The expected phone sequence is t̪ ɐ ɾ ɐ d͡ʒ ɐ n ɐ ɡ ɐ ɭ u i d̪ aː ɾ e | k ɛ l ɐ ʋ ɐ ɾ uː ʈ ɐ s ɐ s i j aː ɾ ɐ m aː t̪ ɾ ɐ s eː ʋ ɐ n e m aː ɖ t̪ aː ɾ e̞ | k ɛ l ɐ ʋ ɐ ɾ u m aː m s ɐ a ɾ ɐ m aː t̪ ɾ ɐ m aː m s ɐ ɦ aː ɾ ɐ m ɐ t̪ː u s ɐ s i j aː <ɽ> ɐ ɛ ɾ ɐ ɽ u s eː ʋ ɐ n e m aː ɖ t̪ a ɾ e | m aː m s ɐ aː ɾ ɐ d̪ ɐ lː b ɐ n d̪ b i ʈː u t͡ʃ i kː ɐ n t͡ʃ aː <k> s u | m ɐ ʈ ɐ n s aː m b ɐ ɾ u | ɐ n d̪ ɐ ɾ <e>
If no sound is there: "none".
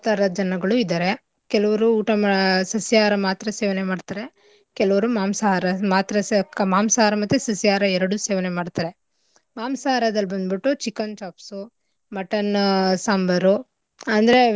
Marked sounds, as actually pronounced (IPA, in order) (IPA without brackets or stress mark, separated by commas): ɾ, p, e